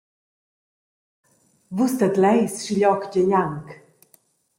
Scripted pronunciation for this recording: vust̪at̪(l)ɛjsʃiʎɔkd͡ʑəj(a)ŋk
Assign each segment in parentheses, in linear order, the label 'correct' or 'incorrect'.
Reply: correct, correct

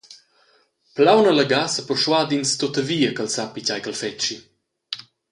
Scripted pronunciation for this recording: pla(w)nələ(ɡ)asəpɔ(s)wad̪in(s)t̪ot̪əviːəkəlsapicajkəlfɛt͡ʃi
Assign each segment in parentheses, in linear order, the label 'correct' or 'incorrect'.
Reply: correct, correct, incorrect: ʃ, correct

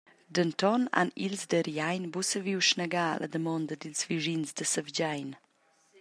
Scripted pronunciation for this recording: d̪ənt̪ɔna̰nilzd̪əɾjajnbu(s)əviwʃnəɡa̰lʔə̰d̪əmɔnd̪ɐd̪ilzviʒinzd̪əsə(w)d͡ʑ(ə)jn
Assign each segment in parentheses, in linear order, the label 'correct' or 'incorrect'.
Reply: correct, incorrect: v, incorrect: a

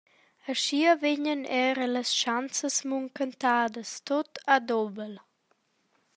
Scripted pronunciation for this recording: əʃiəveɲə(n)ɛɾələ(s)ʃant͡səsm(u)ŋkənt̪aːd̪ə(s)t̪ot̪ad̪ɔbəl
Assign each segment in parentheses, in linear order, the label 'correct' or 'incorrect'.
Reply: correct, correct, correct, correct

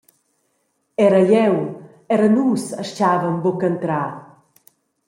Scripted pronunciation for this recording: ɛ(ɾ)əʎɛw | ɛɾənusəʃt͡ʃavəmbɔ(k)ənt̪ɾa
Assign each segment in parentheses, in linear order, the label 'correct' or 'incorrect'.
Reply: correct, correct

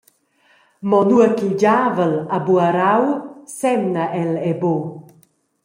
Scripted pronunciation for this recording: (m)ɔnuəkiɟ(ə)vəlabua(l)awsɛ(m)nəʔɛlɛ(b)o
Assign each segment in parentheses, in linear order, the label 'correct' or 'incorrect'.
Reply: correct, incorrect: a, incorrect: ɾ, correct, correct

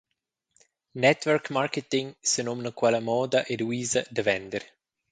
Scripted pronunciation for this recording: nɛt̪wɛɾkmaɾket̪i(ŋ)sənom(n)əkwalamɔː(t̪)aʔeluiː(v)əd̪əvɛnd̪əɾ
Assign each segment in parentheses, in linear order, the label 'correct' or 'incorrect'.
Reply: correct, correct, incorrect: d̪, incorrect: z

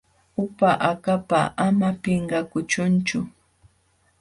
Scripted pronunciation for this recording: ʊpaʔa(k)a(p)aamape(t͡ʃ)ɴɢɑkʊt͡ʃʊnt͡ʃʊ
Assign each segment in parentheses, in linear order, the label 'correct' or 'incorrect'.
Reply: correct, correct, incorrect: none

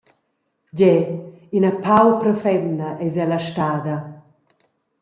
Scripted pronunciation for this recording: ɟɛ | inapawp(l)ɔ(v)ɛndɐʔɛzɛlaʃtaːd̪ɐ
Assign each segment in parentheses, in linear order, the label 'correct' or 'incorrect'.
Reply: incorrect: ɾ, incorrect: f

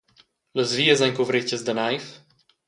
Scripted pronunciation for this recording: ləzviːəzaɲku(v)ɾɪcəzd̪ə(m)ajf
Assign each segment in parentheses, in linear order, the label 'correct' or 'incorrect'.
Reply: correct, incorrect: n

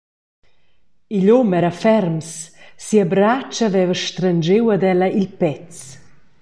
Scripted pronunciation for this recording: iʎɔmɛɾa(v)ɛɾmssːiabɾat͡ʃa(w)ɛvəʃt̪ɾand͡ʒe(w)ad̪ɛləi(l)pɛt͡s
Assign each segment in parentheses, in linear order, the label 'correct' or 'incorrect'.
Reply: incorrect: f, incorrect: v, correct, correct

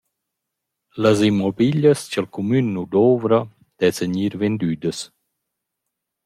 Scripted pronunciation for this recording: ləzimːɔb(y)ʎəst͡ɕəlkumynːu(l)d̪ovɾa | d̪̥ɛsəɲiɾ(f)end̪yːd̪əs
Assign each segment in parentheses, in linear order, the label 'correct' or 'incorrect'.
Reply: incorrect: i, incorrect: none, incorrect: v

